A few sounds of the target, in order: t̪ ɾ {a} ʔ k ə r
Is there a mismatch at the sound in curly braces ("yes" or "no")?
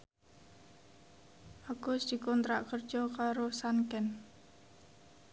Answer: no